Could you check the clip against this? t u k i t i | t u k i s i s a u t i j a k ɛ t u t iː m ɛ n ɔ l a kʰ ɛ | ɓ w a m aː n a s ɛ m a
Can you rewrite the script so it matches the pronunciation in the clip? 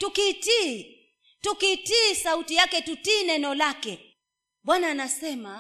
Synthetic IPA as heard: t u k i t i | t u k i t i s a u t i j a k ɛ t u t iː n ɛ n ɔ l a k ɛ | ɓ w a n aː n a s ɛ m a